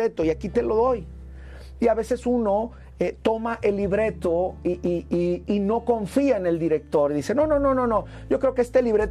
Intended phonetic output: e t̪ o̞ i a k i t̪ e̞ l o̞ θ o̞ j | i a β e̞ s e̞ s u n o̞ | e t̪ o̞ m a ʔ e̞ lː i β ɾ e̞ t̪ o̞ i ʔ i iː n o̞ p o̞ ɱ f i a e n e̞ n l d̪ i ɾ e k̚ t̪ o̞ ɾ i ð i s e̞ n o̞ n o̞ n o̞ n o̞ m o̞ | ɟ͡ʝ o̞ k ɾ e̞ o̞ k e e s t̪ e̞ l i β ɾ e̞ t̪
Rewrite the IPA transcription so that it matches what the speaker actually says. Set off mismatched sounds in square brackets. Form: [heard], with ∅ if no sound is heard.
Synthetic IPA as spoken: e t̪ o̞ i a k i t̪ e̞ l o̞ [ð] o̞ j | i a β e̞ s e̞ s u n o̞ | e t̪ o̞ m a ʔ e̞ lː i β ɾ e̞ t̪ o̞ i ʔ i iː n o̞ [k] o̞ ɱ f i a e n e̞ [∅] l d̪ i ɾ e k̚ t̪ o̞ ɾ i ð i s e̞ n o̞ n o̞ n o̞ n o̞ [n] o̞ | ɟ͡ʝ o̞ k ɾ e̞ o̞ k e e s t̪ e̞ l i β ɾ e̞ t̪